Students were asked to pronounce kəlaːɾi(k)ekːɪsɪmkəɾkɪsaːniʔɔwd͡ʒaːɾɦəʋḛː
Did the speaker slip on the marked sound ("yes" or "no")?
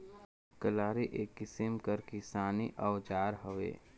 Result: yes